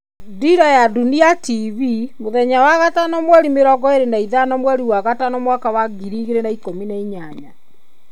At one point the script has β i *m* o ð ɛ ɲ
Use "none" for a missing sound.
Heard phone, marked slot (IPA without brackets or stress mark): m